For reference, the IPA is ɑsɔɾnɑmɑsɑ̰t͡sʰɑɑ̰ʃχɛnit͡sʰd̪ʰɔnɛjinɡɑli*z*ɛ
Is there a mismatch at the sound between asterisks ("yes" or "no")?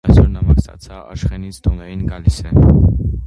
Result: yes